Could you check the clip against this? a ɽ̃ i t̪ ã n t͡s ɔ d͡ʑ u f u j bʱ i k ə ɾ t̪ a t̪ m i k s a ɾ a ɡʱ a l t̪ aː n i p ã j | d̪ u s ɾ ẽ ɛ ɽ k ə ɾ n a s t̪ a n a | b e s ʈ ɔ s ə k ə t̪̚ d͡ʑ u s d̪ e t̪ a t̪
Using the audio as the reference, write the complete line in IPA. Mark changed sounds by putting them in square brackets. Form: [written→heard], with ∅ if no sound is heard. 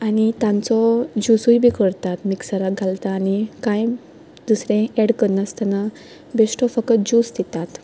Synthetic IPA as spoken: a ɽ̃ i t̪ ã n t͡s ɔ d͡ʑ u [f→s] u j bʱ i k ə ɾ t̪ a t̪ m i k s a ɾ a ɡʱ a l t̪ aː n i [p→k] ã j | d̪ u s ɾ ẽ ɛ ɽ k ə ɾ n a s t̪ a n a | b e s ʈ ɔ [s→f] ə k ə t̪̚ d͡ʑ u s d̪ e t̪ a t̪